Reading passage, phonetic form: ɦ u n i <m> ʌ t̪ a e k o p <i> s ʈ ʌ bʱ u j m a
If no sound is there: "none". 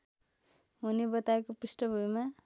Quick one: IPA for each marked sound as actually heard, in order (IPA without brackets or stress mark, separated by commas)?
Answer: b, i